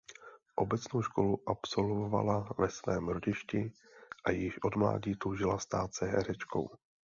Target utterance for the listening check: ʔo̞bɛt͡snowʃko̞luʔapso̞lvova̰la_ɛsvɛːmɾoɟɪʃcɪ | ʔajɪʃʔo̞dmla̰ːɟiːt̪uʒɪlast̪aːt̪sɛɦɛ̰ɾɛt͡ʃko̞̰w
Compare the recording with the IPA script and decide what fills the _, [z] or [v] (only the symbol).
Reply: v